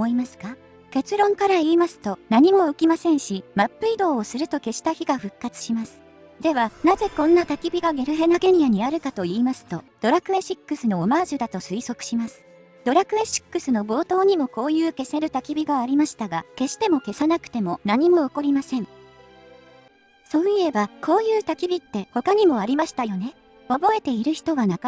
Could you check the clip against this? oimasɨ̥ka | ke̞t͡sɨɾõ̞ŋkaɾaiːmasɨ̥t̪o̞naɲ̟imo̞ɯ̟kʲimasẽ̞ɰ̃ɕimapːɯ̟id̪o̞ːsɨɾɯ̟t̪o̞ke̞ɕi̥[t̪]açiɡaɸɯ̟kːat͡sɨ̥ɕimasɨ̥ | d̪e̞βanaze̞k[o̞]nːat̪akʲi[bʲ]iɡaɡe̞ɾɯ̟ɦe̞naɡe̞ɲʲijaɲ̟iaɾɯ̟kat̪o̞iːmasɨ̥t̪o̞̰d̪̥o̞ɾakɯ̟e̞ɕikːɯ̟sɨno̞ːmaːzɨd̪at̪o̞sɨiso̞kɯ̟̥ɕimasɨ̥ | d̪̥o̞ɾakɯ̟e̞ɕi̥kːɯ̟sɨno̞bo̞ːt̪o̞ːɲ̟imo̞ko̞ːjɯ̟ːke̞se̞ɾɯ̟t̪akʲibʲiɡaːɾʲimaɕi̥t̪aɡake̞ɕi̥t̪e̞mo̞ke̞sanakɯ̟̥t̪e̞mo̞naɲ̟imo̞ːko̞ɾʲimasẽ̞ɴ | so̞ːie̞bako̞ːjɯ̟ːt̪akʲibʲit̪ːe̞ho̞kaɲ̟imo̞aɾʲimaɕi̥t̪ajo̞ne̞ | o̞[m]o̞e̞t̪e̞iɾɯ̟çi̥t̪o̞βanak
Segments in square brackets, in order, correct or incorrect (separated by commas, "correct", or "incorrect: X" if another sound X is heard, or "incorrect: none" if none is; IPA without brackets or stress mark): correct, incorrect: õ̞, correct, incorrect: b